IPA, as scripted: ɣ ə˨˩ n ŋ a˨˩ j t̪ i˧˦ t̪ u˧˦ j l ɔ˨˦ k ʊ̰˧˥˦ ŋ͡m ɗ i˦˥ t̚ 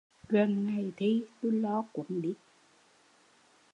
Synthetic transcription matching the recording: ɣ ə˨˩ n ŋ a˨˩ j t̪ʰ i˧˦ t̪ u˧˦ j l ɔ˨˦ k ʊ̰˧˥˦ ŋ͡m ɗ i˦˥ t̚

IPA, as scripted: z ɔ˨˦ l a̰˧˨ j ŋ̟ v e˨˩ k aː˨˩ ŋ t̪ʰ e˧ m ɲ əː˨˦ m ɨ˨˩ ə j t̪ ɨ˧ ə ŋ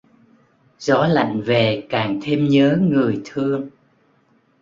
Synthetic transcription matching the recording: z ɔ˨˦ l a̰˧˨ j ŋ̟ v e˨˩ k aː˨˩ ŋ t̪ʰ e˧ m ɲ əː˨˦ ŋ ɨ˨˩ ə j t̪ʰ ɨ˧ ə ŋ

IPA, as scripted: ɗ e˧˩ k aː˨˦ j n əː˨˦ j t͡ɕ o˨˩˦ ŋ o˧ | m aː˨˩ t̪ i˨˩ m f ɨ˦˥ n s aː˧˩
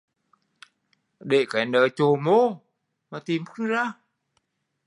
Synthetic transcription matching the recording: ɗ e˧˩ k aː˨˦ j n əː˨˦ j t͡ɕ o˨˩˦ m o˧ | m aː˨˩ t̪ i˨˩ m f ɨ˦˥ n z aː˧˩

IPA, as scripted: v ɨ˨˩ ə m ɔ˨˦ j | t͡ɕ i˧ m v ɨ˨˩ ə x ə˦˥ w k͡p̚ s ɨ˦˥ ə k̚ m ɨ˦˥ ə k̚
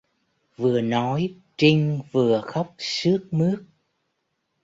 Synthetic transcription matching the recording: v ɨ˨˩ ə n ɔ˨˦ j | t͡ɕ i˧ ŋ v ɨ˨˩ ə x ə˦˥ w k͡p̚ s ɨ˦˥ ə k̚ m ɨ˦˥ ə k̚

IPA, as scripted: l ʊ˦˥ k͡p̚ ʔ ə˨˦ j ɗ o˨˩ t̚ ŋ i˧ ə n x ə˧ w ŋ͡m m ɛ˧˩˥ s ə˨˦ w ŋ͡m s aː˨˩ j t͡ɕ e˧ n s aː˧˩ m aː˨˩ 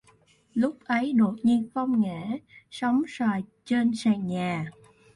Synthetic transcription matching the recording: l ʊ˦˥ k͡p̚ ʔ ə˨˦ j ɗ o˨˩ t̚ ɲ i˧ ə n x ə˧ w ŋ͡m ŋ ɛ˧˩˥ s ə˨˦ w ŋ͡m s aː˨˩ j t͡ɕ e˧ n s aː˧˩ ɲ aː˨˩

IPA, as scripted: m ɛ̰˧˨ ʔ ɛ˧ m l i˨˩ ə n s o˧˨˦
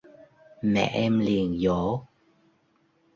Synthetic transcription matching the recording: m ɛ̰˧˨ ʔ ɛ˧ m l i˨˩ ə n z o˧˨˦

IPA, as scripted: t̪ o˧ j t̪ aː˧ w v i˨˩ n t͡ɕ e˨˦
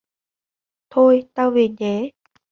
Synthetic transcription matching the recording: t̪ʰ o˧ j t̪ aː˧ w v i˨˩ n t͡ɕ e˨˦

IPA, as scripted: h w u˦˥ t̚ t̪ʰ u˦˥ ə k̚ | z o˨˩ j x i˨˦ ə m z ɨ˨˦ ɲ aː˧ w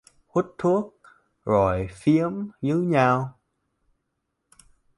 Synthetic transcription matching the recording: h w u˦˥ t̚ t̪ʰ u˦˥ ə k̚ | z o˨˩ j f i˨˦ ə m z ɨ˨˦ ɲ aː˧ w

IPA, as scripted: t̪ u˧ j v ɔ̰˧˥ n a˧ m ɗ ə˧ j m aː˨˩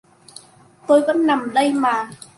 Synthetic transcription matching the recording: t̪ o˧ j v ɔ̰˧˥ n a˨˩ m ɗ ə˧ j m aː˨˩

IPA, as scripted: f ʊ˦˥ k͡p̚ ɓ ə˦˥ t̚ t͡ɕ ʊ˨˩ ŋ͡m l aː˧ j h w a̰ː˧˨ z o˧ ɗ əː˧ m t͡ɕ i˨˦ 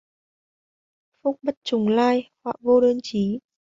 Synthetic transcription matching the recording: f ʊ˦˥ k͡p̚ ɓ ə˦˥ t̚ t͡ɕ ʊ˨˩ ŋ͡m l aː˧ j h w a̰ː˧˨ v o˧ ɗ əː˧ n t͡ɕ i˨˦

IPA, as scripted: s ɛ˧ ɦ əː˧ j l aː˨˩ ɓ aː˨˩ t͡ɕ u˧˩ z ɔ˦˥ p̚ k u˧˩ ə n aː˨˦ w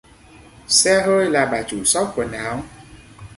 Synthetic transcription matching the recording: s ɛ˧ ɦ əː˧ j l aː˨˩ ɓ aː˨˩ t͡ɕ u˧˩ s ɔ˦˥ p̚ k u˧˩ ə n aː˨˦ w

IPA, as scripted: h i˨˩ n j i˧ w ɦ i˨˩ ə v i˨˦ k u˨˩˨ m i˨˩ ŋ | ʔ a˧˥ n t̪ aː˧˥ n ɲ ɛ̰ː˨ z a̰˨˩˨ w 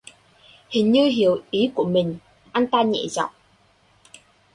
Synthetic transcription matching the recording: h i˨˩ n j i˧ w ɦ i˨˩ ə w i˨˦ k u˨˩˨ m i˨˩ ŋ | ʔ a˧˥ n t̪ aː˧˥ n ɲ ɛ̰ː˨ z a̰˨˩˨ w

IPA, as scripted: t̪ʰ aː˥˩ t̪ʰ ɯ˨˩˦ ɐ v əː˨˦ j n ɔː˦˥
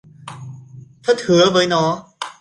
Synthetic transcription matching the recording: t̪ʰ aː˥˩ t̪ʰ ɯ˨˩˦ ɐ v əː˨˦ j n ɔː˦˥

